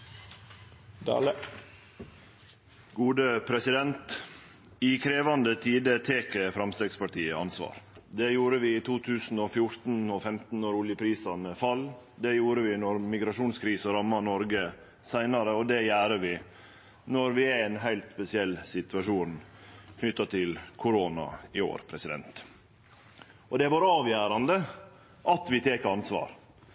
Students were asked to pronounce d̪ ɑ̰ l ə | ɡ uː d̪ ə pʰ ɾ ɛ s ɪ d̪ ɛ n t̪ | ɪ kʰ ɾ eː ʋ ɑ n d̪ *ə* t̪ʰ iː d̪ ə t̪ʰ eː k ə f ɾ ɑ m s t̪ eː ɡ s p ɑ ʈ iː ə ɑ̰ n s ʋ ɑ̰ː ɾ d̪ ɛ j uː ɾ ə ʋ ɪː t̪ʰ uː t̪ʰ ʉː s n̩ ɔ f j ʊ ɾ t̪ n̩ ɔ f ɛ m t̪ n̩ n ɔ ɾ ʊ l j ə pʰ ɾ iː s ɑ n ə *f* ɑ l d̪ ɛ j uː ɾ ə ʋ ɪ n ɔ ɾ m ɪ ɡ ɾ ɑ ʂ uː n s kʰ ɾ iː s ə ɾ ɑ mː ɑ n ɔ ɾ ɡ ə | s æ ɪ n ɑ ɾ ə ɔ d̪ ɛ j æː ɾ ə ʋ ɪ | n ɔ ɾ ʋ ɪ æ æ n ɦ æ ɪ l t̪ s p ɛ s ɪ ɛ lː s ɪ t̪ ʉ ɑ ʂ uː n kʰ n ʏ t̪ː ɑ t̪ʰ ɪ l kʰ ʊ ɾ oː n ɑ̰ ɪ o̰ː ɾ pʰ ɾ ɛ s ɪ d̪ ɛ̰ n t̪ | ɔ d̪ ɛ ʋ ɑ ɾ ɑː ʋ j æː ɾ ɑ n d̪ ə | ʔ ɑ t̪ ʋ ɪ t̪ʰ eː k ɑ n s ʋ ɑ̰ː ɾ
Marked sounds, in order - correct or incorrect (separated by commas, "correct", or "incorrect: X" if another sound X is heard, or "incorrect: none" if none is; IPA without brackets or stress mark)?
correct, correct